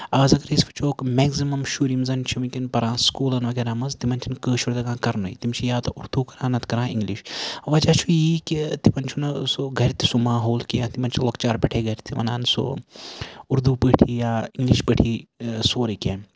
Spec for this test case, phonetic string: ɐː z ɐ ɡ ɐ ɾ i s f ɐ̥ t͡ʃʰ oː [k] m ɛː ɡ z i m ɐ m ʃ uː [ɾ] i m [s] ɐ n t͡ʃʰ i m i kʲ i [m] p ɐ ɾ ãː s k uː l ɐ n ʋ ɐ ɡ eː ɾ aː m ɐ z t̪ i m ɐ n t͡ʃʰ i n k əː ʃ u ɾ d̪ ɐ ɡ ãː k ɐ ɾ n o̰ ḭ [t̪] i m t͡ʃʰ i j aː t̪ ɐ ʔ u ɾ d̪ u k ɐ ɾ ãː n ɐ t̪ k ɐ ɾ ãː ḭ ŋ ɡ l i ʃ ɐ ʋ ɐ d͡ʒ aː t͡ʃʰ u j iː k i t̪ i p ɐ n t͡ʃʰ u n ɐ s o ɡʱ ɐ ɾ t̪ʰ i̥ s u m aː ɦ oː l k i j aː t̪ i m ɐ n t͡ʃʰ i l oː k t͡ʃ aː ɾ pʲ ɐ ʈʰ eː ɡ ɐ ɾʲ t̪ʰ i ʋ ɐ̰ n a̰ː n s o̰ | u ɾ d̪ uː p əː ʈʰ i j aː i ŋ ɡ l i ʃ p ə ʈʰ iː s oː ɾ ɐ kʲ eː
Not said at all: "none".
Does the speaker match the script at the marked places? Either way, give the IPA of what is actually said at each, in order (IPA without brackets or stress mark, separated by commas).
k, ɾ, z, n, t̪